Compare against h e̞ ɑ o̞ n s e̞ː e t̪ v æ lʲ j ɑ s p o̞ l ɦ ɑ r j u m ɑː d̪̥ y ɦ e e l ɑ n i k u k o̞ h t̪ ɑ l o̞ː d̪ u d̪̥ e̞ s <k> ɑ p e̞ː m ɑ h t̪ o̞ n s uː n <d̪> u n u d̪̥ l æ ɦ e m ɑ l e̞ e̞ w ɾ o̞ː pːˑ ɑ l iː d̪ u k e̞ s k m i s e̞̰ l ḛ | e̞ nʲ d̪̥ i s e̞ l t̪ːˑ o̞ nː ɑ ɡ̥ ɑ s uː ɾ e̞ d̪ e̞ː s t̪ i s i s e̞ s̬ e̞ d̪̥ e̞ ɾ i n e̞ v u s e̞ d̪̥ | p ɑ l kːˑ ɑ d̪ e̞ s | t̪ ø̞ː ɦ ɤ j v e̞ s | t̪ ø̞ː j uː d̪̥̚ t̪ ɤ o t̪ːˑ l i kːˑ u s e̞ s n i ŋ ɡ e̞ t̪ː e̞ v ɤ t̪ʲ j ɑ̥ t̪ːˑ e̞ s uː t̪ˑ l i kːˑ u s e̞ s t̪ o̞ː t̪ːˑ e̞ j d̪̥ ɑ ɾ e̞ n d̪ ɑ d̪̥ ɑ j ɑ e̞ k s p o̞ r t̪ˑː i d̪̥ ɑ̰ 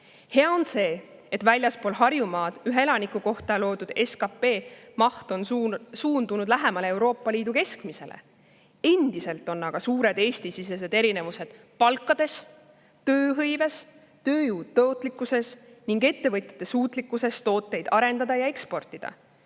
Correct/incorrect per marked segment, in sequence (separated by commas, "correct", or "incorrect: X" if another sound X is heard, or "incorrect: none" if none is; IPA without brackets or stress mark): correct, correct